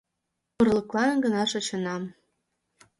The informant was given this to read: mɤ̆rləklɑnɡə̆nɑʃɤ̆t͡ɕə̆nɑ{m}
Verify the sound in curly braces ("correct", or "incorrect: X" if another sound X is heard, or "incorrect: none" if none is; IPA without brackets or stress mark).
correct